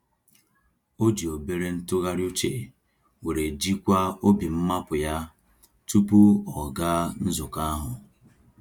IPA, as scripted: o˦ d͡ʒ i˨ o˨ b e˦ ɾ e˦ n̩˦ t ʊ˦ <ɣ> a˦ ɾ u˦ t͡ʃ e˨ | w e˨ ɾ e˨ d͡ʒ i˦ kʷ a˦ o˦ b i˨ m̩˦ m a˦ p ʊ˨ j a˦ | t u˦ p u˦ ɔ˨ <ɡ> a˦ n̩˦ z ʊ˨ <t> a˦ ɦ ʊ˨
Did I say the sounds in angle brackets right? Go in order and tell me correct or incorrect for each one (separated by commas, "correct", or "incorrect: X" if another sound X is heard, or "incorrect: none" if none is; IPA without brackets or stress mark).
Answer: correct, correct, incorrect: k